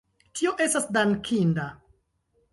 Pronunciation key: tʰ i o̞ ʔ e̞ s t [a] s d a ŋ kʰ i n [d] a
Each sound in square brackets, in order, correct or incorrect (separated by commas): correct, correct